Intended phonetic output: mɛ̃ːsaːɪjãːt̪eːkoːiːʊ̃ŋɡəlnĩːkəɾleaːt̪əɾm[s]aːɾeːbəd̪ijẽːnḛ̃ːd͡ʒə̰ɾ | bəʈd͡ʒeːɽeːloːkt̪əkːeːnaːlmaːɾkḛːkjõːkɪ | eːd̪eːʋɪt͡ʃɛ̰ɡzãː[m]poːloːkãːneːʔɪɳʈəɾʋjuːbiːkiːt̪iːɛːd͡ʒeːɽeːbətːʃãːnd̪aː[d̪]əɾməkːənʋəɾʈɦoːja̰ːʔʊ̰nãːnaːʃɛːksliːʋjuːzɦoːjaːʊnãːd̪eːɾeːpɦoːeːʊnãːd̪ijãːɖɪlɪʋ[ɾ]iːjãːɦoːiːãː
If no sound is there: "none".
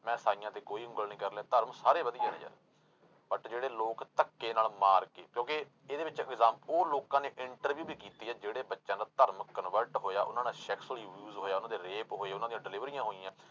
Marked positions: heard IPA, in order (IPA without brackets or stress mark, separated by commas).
s, m, t̪, ɾ